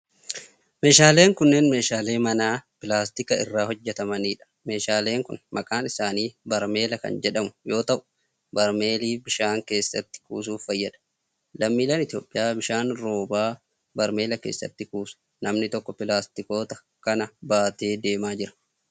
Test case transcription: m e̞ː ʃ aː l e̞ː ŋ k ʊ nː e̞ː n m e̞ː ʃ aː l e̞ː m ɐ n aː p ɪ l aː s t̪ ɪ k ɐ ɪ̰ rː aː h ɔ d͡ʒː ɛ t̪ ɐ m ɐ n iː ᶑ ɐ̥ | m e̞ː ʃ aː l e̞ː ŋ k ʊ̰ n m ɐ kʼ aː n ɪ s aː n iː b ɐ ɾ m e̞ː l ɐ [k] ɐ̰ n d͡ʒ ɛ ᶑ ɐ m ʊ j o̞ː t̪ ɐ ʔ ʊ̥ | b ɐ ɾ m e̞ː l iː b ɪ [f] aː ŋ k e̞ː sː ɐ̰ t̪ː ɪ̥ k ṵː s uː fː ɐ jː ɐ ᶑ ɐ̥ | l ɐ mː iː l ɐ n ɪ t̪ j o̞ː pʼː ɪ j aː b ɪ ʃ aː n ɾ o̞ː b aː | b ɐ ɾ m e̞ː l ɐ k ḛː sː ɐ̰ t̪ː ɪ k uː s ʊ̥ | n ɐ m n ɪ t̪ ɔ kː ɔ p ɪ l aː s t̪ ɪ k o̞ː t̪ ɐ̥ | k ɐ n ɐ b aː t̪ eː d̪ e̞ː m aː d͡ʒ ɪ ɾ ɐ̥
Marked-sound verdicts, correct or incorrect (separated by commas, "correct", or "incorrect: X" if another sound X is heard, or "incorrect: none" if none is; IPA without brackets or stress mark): correct, incorrect: ʃ